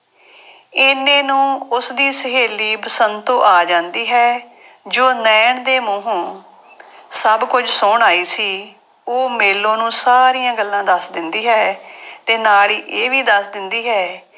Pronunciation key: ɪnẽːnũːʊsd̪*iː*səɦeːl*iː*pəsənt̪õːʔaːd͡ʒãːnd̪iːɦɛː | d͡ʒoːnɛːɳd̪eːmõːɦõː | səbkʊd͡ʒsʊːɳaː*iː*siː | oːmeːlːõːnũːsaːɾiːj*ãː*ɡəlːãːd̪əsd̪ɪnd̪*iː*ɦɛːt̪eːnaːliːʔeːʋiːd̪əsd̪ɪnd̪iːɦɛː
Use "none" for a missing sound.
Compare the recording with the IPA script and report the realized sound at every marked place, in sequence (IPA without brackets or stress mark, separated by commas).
iː, iː, iː, ãː, iː